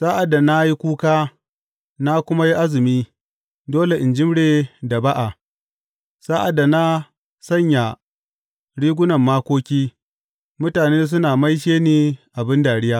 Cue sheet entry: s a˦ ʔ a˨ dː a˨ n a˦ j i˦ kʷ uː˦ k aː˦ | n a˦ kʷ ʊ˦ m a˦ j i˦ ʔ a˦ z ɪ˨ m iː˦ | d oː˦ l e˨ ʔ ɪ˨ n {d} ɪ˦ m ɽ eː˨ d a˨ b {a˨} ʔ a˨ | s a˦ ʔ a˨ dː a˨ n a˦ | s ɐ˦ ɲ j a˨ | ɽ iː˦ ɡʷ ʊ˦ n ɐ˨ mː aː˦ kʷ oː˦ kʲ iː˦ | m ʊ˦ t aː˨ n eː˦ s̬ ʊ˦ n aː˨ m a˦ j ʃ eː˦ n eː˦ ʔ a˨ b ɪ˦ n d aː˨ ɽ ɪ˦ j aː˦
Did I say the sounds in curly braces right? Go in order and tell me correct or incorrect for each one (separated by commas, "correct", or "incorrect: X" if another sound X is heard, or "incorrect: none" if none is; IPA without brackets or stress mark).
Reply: incorrect: d͡ʒ, incorrect: a˦